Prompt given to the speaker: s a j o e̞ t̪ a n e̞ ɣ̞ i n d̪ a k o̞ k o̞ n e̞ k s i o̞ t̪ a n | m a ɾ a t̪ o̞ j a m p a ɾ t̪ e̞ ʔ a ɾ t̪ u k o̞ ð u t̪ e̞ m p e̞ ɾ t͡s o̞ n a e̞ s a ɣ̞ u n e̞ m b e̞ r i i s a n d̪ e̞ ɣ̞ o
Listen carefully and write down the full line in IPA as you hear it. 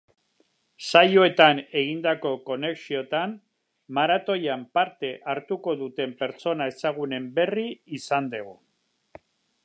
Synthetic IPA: s a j o e̞ t̪ a n e̞ ɣ̞ i n d̪ a k o̞ k o̞ n e̞ k s i o̞ t̪ a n | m a ɾ a t̪ o̞ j a m p a ɾ t̪ e̞ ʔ a ɾ t̪ u k o̞ ð u t̪ e̞ m p e̞ ɾ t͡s o̞ n a e̞ s a ɣ̞ u n e̞ m b e̞ r i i s a n d̪ e̞ ɣ̞ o